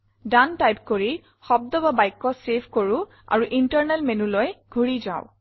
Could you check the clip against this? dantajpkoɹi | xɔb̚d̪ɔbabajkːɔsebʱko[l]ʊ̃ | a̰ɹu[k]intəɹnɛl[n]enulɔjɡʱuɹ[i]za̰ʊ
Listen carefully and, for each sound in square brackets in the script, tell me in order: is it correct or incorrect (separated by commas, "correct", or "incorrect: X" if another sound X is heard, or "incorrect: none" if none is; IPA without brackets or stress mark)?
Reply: incorrect: ɹ, incorrect: ʔ, incorrect: m, correct